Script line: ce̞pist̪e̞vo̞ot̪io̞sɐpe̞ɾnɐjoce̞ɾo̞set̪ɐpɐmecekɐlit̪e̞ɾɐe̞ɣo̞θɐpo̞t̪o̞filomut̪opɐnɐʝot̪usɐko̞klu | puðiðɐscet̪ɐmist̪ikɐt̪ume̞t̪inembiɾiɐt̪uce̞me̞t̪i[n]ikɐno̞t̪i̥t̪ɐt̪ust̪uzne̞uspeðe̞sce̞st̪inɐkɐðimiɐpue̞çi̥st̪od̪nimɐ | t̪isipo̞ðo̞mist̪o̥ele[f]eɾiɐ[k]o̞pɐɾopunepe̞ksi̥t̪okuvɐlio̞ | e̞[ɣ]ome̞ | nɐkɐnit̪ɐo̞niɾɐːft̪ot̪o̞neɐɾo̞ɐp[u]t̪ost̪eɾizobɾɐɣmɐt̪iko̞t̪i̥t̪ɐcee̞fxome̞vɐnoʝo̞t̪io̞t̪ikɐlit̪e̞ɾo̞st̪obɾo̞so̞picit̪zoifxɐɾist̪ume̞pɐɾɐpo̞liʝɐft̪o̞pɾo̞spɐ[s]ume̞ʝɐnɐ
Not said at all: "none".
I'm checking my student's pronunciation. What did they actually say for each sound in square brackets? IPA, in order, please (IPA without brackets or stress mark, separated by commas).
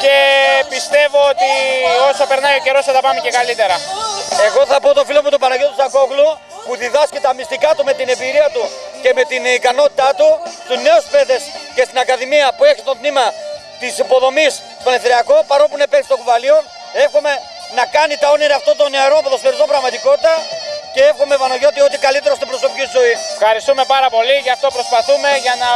n, θ, k, x, o, θ